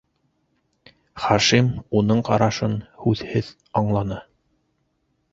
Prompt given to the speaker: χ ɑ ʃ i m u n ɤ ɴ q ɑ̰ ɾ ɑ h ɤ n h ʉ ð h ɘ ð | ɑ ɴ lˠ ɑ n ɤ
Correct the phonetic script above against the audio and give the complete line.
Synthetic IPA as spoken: χ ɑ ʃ i m u n ɤ ɴ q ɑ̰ ɾ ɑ ʃ ɤ n h ʉ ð h ɘ ð | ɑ ɴ lˠ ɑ n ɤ